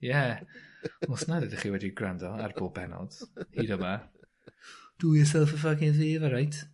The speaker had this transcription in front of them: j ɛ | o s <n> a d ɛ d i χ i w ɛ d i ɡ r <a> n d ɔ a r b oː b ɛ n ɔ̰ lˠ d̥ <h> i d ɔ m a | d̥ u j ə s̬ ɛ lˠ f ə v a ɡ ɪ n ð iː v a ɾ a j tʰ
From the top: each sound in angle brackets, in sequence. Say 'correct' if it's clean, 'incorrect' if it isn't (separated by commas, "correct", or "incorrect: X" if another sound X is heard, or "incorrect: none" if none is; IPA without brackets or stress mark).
correct, correct, correct